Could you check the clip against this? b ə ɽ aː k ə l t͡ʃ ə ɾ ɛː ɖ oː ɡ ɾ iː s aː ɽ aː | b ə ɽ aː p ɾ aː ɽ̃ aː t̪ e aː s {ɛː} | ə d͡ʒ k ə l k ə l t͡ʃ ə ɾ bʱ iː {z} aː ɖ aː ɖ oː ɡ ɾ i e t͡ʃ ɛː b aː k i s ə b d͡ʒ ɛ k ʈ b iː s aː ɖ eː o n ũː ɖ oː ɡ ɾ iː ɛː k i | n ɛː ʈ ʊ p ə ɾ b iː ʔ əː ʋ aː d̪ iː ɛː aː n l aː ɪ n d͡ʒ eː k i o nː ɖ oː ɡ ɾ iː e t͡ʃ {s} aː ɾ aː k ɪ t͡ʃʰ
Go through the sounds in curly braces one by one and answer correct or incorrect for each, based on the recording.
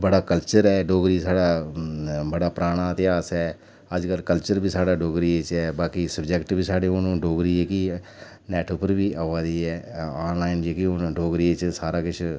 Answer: correct, incorrect, correct

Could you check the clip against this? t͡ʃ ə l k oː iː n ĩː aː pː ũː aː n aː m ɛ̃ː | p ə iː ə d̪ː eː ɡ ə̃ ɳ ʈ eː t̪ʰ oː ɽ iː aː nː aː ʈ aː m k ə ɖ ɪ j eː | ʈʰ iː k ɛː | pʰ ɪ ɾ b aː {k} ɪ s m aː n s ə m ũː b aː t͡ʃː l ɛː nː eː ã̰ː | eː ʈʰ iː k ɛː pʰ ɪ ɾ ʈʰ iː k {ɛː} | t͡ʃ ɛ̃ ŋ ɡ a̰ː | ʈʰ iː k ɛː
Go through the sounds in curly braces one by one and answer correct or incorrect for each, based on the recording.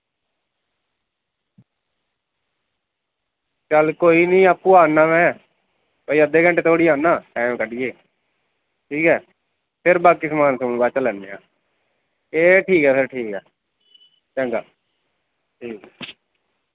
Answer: correct, correct

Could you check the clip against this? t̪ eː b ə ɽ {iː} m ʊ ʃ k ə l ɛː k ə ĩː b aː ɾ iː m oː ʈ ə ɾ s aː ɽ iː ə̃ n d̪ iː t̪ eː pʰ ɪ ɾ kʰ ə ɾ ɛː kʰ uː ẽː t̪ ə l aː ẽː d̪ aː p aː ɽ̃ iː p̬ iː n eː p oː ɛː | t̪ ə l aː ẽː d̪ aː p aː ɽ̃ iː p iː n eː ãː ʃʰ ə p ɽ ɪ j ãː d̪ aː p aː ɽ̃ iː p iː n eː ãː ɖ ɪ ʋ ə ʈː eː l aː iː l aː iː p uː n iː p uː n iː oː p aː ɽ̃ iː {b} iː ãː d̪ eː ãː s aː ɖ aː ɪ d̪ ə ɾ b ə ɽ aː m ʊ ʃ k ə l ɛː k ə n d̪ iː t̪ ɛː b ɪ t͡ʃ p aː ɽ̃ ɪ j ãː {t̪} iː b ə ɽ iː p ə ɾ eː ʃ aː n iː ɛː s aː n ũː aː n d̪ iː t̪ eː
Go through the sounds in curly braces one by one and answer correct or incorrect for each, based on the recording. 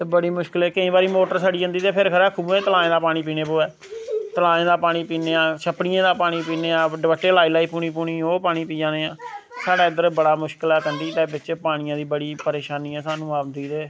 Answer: correct, incorrect, incorrect

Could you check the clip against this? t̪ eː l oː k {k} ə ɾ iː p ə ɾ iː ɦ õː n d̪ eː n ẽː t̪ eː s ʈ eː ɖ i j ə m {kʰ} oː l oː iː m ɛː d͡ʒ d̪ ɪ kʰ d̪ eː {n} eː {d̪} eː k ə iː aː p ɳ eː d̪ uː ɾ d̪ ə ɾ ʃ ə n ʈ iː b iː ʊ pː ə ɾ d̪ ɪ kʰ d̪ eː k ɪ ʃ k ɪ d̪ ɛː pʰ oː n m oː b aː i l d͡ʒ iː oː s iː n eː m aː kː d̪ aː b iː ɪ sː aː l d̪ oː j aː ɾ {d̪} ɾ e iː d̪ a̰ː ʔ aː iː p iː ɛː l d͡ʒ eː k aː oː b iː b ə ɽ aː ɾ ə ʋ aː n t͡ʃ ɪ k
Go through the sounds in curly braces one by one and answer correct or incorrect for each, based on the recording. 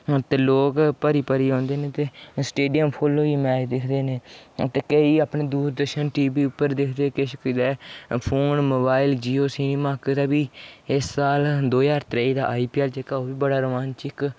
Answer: incorrect, incorrect, correct, incorrect, incorrect

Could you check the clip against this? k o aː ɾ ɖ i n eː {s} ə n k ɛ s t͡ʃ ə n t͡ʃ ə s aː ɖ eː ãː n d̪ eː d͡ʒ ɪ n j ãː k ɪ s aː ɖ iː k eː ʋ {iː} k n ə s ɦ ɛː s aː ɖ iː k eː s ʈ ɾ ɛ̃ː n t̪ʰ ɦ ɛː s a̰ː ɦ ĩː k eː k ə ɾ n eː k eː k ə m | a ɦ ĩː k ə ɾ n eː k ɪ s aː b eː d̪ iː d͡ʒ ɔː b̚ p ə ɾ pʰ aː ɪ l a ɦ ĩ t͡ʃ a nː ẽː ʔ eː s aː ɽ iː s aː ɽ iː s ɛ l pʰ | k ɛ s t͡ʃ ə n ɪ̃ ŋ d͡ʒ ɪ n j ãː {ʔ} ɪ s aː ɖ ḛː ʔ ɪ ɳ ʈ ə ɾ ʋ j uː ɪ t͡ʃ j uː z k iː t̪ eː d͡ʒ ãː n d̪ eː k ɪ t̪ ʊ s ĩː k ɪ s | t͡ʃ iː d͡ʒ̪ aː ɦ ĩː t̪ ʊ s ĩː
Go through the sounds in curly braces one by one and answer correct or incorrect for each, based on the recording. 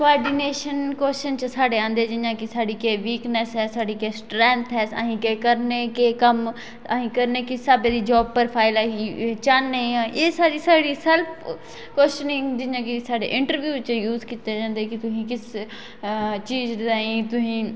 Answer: incorrect, correct, incorrect

